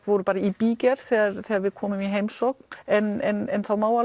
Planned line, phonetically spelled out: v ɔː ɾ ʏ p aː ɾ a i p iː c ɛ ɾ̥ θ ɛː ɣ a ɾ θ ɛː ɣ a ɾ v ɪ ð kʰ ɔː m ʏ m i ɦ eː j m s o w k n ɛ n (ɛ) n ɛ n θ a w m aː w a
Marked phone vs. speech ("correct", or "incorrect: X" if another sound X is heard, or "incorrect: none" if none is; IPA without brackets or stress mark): correct